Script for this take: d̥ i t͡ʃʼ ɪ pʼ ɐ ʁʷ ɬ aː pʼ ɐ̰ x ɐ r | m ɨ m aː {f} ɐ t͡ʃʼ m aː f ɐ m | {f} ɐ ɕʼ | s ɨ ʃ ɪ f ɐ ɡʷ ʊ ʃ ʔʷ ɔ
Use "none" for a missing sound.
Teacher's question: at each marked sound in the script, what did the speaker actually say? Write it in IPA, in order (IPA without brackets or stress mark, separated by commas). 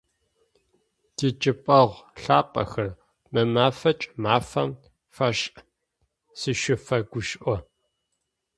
f, f